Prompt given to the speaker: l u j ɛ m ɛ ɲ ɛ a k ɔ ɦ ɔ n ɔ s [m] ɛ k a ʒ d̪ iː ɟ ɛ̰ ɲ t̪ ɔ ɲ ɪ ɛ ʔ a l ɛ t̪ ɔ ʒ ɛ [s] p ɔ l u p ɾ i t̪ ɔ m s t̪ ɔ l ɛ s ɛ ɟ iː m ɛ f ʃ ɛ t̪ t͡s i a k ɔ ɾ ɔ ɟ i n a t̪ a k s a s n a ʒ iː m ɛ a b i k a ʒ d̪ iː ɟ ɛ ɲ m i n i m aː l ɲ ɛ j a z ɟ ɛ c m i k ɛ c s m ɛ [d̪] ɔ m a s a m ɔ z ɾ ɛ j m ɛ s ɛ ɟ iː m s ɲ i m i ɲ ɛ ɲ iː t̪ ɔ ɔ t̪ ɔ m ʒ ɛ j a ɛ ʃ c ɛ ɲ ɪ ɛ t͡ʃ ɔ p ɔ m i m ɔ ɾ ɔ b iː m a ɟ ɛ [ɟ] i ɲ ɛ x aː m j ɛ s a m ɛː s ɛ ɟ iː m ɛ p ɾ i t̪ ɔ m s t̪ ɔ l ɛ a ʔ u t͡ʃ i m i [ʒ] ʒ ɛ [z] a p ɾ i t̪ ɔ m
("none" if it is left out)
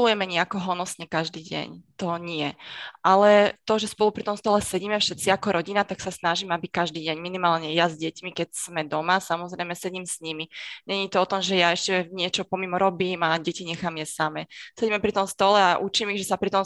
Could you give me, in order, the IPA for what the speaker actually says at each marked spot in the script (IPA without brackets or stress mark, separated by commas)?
ɲ, s, d̪, c, ɣ, s